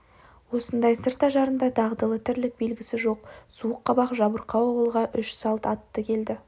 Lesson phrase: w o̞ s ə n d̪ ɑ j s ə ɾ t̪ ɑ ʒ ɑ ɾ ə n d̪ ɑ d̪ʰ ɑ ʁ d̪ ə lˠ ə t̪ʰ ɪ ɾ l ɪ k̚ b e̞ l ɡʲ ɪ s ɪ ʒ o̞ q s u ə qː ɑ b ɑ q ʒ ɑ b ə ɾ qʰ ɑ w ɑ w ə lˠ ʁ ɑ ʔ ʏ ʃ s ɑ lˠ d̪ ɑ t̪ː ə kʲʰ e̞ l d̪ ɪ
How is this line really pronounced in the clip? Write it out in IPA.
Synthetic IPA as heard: w o̞ s ə n d̪ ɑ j s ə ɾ t̪ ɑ ʒ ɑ ɾ ə n d̪ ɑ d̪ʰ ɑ ʁ d̪ ə lˠ ə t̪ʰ ɪ ɾ l ɪ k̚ b e̞ l ɡʲ ɪ s ɪ ʒ o̞ q s u ə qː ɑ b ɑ q ʒ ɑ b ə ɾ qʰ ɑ w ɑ w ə lˠ ʁ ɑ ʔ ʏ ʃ s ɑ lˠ t̪ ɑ t̪ː ə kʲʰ e̞ l d̪ ɪ